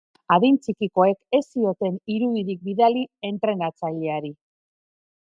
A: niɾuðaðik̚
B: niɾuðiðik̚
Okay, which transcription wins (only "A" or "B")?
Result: B